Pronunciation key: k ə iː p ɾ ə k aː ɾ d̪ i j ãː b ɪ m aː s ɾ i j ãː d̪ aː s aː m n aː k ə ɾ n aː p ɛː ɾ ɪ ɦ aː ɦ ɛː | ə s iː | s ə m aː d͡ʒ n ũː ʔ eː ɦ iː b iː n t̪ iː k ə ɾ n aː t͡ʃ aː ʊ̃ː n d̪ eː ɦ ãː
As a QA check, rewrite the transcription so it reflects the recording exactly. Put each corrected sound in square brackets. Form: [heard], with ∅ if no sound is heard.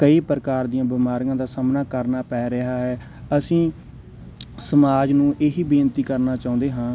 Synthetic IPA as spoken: k ə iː p ɾ ə k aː ɾ d̪ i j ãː b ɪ m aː [∅] ɾ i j ãː d̪ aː s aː m n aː k ə ɾ n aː p ɛː ɾ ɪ ɦ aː ɦ ɛː | ə s [ĩː] | s ə m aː d͡ʒ n ũː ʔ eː ɦ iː b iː n t̪ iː k ə ɾ n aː t͡ʃ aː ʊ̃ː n d̪ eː ɦ ãː